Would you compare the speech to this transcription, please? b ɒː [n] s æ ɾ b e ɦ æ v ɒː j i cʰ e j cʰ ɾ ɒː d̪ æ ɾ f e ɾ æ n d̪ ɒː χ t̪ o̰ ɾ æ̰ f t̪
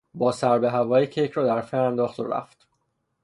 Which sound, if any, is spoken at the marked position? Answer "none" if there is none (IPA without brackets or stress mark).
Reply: none